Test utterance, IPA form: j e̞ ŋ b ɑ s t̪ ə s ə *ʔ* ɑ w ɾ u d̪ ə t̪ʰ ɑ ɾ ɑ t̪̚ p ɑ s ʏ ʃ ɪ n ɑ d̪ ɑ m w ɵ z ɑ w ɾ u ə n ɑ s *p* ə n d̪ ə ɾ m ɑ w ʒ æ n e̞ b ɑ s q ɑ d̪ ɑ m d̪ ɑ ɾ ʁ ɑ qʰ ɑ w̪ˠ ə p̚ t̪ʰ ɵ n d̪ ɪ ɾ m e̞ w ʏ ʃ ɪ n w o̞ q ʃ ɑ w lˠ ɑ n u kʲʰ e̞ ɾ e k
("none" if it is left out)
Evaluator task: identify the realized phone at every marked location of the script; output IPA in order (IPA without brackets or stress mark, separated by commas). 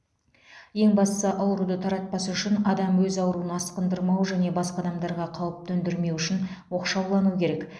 ʔ, q